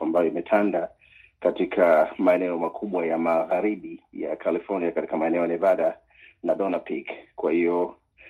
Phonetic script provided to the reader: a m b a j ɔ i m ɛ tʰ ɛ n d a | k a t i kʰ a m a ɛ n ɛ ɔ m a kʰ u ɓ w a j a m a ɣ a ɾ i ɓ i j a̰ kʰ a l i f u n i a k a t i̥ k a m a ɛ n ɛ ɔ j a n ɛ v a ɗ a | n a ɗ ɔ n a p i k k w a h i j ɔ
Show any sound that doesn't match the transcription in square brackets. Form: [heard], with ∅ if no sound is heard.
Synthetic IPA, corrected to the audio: a m b a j ɔ i m ɛ tʰ [a] n d a | k a t i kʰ a m a ɛ n ɛ ɔ m a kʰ u ɓ w a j a m a ɣ a ɾ i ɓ i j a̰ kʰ a l i f [ɔ] n i a k a t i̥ k a m a ɛ n ɛ ɔ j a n ɛ v a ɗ a | n a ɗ ɔ n a p i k k w a h i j ɔ